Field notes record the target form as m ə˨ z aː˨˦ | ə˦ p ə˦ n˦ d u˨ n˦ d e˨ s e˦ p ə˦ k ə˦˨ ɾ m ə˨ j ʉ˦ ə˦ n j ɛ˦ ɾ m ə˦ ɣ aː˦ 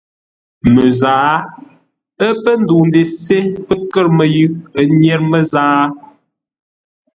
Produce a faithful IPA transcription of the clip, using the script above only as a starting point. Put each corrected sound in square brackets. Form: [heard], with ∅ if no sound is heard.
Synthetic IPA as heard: m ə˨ z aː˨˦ | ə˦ p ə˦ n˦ d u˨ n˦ d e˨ s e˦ p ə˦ k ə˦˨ ɾ m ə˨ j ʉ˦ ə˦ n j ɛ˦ ɾ m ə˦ [z] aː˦

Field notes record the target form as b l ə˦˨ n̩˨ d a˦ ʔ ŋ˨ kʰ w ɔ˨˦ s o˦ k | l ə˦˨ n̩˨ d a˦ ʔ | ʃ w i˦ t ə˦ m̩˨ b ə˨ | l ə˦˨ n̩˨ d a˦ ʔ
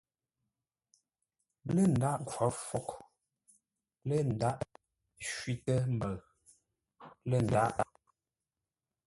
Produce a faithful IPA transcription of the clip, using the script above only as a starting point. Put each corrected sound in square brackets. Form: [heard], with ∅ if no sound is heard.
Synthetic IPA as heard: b l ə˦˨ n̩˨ d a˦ ʔ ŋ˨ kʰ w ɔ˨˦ [f] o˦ k | l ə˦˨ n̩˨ d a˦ ʔ | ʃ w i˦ t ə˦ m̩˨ b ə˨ | l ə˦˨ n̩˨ d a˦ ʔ

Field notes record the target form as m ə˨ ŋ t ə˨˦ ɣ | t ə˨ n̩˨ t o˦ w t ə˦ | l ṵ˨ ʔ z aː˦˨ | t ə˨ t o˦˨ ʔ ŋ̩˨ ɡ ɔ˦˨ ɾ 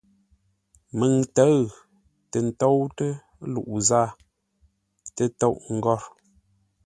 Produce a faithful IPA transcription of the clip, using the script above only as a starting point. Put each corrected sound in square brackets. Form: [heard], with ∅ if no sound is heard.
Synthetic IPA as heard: m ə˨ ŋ t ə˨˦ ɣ | t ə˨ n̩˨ t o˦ w t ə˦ | l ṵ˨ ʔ z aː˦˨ | t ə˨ t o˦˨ ʔ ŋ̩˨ ɡ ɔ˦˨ ɾ

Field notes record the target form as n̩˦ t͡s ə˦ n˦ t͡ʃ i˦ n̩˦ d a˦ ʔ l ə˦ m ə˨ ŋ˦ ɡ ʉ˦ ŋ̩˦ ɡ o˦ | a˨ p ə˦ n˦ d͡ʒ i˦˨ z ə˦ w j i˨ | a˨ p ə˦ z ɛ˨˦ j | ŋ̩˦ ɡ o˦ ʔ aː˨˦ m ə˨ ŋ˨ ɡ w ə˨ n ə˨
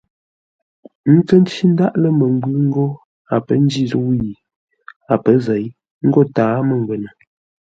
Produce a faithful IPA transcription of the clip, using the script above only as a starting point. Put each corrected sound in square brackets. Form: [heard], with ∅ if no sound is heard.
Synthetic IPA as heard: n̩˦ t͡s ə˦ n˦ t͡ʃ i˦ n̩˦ d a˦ ʔ l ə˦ m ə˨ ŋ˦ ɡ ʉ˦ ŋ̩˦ ɡ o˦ | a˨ p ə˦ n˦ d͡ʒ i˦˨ z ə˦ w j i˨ | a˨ p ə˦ z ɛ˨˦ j | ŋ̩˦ ɡ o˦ [t] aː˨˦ m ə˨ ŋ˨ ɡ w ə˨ n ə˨

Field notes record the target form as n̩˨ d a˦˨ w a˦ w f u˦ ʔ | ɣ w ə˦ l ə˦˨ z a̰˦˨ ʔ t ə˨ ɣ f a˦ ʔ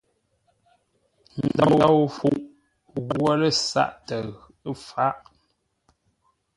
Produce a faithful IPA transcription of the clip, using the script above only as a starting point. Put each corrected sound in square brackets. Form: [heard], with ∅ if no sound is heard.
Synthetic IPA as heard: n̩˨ d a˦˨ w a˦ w f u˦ ʔ | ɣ w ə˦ l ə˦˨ [s] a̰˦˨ ʔ t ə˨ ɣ f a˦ ʔ

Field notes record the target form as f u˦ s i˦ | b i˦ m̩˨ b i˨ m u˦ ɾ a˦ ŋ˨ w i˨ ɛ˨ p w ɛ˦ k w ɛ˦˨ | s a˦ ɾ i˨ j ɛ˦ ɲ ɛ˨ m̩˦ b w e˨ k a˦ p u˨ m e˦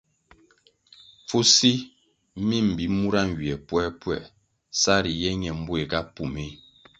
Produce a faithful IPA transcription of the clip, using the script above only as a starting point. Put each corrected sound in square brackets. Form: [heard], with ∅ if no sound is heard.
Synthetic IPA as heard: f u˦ s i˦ | [m] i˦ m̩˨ b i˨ m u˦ ɾ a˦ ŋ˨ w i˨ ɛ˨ p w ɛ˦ [p] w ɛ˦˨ | s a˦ ɾ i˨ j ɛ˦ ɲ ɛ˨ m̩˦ b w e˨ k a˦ p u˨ m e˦

